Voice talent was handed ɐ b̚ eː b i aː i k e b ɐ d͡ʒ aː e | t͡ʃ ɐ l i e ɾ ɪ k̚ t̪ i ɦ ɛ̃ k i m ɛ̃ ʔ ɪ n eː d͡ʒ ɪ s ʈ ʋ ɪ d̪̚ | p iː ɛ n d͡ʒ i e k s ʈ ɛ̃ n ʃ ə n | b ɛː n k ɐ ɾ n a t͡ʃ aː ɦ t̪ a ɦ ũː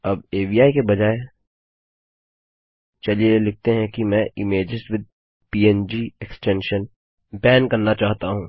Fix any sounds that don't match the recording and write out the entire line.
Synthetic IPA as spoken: ɐ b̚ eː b i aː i k e b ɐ d͡ʒ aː e | t͡ʃ ɐ l i e l ɪ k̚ t̪ e ɦ ɛ̃ k i m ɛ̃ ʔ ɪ m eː d͡ʒ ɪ s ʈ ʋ ɪ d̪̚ | p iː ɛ n d͡ʒ i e k s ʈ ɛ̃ n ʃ ə n | b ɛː n k ɐ ɾ n a t͡ʃ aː ɦ t̪ a ɦ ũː